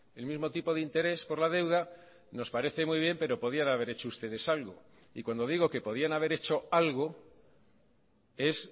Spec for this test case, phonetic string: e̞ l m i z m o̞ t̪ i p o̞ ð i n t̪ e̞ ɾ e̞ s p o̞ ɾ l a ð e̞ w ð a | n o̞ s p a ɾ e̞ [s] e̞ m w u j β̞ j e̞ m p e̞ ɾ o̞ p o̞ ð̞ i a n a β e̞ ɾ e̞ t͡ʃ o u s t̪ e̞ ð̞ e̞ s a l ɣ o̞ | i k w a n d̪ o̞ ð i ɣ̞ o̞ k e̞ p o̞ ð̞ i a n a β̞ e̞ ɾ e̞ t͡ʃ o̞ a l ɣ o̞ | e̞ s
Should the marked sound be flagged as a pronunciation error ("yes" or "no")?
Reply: yes